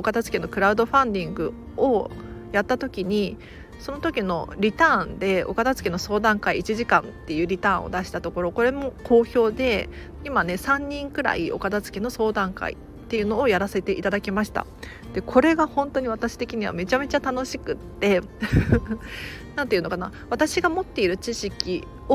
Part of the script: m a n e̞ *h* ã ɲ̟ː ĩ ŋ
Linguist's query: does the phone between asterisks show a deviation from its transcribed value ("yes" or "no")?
yes